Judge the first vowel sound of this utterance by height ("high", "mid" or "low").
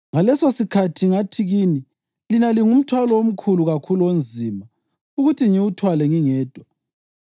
low